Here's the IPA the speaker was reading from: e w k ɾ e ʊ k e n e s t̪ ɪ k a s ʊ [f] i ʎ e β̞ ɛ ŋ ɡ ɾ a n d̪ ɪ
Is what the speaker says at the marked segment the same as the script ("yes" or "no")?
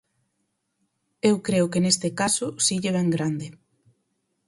no